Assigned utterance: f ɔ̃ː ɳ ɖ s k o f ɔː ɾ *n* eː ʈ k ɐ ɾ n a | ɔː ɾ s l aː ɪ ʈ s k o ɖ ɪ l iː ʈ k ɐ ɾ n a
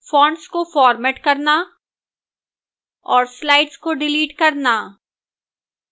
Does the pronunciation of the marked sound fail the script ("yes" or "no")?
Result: yes